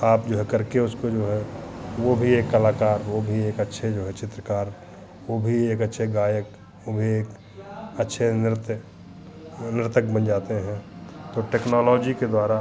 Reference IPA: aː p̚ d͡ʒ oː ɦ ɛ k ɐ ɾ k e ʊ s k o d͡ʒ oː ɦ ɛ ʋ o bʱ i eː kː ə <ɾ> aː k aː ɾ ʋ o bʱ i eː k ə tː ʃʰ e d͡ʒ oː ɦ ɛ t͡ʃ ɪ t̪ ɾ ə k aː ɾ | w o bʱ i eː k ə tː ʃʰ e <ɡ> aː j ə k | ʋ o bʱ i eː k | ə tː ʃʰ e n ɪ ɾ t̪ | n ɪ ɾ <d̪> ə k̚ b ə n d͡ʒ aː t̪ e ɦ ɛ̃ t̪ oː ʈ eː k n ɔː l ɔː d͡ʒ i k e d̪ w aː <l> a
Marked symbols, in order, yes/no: no, yes, no, no

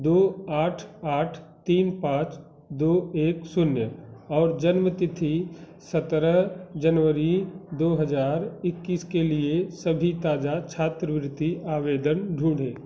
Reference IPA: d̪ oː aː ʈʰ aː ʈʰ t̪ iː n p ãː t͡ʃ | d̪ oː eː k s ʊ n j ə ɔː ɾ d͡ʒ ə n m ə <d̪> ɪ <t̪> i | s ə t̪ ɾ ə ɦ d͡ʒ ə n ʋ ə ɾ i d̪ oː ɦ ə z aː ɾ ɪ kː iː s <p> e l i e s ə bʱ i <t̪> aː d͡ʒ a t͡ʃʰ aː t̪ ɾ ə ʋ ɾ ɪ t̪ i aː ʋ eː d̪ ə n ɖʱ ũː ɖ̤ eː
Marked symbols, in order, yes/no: no, no, no, yes

